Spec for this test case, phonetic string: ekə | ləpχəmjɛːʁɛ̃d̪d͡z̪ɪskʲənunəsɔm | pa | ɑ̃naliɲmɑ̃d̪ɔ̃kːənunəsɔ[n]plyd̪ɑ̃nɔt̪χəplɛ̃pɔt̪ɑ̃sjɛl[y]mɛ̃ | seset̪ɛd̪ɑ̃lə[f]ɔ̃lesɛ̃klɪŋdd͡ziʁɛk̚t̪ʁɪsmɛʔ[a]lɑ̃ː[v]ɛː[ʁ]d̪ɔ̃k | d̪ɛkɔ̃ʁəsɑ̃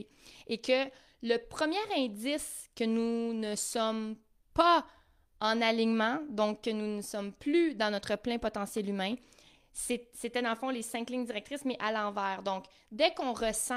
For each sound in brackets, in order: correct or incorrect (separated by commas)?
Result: incorrect, correct, correct, correct, correct, correct